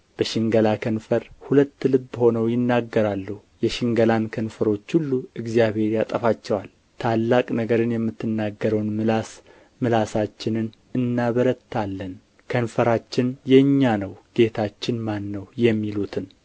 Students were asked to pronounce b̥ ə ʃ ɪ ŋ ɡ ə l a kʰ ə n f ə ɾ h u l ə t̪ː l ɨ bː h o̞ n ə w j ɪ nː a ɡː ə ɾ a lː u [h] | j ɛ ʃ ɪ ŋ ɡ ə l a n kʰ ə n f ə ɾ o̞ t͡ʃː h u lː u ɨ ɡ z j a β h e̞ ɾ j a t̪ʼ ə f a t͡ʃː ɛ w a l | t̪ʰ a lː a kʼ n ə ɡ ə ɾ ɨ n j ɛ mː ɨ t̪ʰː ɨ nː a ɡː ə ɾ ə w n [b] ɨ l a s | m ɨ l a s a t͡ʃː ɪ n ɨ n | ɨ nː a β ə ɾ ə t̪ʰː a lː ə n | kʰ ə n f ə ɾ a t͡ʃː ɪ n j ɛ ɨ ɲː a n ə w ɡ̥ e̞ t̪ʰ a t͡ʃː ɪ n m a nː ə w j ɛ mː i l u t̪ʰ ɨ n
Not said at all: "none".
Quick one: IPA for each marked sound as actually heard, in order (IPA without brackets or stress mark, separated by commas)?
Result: h, m